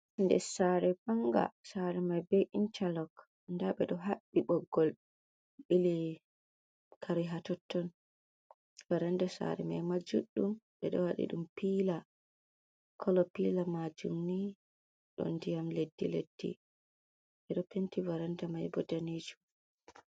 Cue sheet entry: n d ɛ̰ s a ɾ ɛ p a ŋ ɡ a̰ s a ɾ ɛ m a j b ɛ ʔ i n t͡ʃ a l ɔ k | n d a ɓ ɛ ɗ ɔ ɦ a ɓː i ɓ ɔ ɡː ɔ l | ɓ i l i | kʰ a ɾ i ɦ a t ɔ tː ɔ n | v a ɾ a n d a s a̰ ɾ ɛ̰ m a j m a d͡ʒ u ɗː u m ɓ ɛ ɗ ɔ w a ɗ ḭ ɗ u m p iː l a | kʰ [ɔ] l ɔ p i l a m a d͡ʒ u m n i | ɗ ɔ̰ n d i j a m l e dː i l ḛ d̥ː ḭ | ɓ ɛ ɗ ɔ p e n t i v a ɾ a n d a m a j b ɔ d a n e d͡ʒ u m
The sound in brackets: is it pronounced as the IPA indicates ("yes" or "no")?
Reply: yes